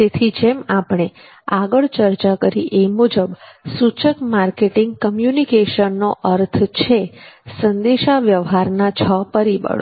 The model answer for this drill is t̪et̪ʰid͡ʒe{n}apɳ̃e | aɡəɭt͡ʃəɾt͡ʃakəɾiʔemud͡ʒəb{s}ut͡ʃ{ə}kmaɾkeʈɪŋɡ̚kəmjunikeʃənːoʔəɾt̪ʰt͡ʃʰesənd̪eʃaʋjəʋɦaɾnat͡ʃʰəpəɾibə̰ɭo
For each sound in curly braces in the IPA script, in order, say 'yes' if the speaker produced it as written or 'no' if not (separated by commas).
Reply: no, yes, yes